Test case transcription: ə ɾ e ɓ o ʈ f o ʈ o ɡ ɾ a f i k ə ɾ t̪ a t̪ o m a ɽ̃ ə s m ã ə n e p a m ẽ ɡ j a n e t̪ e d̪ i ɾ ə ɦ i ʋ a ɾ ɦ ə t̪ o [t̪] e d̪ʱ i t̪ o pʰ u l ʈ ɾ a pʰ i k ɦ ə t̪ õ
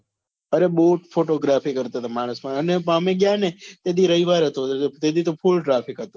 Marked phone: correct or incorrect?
correct